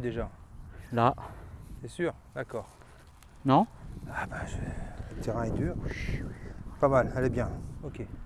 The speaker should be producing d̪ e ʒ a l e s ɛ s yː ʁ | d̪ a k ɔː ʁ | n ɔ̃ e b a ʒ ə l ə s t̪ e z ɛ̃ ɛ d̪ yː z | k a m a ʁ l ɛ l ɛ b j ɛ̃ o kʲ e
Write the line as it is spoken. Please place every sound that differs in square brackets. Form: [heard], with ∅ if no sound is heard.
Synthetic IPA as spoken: d̪ e ʒ a l [a] s ɛ s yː ʁ | d̪ a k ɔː ʁ | n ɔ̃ [a] b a ʒ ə l ə [∅] t̪ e [ʁ] ɛ̃ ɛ d̪ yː [ʁ] | [p] a m a [∅] l ɛ l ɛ b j ɛ̃ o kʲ e